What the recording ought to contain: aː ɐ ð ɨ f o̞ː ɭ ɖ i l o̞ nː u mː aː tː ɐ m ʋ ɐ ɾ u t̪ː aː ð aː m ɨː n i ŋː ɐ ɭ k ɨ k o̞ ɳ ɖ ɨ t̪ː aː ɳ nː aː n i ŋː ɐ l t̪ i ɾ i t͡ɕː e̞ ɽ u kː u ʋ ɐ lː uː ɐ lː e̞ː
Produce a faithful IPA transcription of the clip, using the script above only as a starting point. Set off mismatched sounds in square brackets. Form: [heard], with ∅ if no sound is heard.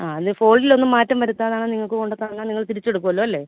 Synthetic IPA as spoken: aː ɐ ð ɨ f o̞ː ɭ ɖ i l o̞ nː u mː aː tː ɐ m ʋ ɐ ɾ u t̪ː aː ð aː [ɳ] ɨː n i ŋː ɐ ɭ k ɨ k o̞ ɳ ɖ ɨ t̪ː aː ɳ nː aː n i ŋː ɐ [ɭ] t̪ i ɾ i t͡ɕː e̞ ɽ u kː u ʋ ɐ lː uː ɐ lː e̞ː